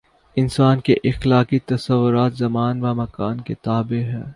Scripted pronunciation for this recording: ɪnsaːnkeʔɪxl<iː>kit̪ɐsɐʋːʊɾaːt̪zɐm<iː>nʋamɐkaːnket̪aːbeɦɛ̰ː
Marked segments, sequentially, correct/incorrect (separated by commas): incorrect, incorrect